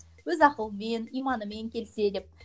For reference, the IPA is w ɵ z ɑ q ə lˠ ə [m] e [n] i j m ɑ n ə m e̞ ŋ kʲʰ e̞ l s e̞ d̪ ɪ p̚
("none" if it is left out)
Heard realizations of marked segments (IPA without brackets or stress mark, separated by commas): m, n